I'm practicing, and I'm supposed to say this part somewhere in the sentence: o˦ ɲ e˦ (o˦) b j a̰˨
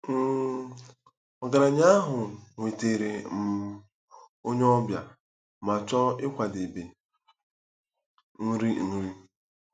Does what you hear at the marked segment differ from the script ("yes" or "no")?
yes